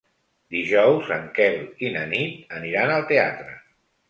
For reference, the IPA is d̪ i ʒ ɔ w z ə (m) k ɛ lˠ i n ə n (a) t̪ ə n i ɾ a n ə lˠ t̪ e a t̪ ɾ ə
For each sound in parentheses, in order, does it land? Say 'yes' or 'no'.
no, no

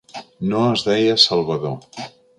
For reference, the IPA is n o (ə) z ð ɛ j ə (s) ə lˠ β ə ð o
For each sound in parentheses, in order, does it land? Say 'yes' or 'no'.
yes, yes

